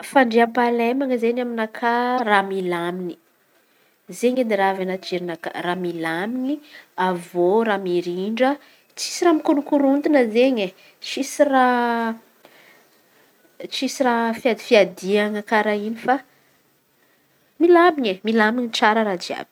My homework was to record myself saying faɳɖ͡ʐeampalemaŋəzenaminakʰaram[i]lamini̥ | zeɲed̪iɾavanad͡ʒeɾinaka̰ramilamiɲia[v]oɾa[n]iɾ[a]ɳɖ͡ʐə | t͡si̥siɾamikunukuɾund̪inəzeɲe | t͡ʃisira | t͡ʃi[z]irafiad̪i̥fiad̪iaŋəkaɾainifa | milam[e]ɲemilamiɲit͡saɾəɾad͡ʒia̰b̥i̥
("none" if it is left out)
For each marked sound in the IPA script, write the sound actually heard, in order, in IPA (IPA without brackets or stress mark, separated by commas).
i, v, m, i, s, i